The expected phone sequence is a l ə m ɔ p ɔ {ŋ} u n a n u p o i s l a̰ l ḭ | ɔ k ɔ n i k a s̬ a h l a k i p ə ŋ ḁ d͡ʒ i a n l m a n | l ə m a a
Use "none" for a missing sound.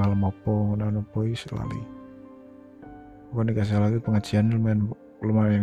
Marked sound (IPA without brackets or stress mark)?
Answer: ŋ